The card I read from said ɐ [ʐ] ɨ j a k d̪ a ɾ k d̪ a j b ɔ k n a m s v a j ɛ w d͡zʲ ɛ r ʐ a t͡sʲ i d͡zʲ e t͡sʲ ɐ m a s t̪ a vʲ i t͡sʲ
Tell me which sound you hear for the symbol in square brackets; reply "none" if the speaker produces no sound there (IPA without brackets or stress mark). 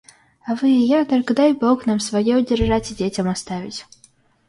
v